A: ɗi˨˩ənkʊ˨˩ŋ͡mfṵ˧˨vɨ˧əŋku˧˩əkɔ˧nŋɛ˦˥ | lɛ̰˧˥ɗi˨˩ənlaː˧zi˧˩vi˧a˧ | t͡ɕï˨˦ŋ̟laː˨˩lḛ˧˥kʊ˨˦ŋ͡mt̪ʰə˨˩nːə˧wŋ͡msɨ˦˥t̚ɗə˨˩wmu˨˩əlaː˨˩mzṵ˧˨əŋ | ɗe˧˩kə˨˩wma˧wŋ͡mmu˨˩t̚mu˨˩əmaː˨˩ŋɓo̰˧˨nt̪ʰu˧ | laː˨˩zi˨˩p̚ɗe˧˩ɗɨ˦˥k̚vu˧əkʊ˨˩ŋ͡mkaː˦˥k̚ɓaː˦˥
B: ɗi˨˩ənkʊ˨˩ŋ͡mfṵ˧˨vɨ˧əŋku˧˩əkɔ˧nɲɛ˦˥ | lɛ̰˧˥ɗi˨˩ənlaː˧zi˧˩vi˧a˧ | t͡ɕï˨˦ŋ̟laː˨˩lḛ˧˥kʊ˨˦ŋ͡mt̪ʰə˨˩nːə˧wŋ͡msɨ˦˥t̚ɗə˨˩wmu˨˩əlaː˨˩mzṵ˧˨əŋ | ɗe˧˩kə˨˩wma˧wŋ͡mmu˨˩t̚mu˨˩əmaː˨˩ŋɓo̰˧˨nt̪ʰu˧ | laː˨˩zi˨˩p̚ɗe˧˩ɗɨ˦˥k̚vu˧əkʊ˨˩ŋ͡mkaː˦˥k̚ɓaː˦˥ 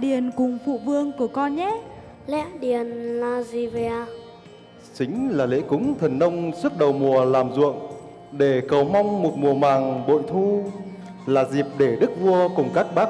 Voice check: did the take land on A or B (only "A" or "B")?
B